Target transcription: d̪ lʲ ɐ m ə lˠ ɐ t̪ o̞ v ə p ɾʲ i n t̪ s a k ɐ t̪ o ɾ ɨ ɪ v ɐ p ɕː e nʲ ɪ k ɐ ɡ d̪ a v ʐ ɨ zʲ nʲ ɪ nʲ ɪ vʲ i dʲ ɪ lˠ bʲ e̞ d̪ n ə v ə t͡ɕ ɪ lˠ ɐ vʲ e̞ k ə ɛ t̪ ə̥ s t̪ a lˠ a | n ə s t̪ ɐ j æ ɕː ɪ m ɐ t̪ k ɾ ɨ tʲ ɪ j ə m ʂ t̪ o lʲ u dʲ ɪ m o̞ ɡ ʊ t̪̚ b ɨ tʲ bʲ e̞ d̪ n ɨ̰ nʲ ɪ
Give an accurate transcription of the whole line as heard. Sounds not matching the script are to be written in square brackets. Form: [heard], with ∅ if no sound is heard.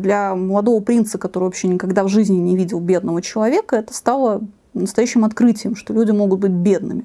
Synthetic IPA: d̪ lʲ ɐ m ə lˠ ɐ [d̪] o̞ v ə p ɾʲ i n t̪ s [ə] k ɐ t̪ o ɾ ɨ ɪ v ɐ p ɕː e nʲ ɪ k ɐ ɡ d̪ a v ʐ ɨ zʲ nʲ ɪ nʲ ɪ vʲ i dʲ ɪ lˠ bʲ e̞ d̪ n ə v ə t͡ɕ ɪ lˠ ɐ vʲ e̞ k ə ɛ t̪ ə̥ s t̪ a lˠ [ə] | n ə s t̪ ɐ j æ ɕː ɪ m ɐ t̪ k ɾ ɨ tʲ ɪ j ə m ʂ t̪ o lʲ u dʲ ɪ m o̞ ɡ ʊ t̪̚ b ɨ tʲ bʲ e̞ d̪ n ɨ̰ [mʲ] ɪ